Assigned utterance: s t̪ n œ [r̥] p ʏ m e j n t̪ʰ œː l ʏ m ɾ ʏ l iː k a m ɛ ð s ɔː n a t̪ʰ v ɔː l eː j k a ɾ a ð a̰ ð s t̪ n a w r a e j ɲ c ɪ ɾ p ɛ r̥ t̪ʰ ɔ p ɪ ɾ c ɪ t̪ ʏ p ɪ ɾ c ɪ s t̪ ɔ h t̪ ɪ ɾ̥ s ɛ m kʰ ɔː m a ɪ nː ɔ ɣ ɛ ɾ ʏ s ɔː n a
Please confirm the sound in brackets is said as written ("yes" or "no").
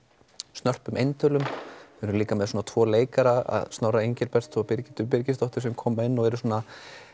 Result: yes